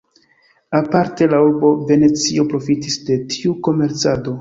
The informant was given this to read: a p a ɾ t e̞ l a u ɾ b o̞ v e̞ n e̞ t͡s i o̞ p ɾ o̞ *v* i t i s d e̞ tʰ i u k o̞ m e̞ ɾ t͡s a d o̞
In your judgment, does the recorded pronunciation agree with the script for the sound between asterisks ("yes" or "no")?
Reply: no